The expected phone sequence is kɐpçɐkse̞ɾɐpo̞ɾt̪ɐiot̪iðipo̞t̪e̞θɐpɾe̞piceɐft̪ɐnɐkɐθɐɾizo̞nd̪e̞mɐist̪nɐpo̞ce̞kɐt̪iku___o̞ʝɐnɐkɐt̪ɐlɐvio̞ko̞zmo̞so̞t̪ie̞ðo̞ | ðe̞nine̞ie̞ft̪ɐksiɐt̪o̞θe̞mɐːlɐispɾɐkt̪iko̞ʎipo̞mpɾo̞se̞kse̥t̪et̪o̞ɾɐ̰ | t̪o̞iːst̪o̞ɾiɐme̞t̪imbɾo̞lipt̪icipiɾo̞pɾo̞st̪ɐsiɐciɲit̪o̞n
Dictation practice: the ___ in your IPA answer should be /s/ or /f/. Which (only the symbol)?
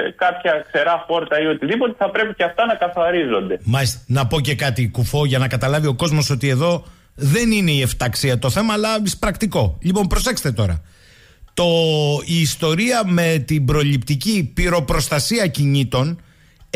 f